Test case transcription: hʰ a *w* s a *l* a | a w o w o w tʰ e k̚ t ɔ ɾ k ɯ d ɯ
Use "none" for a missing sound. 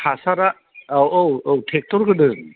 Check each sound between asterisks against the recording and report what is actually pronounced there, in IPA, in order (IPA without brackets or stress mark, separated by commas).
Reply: none, ɾ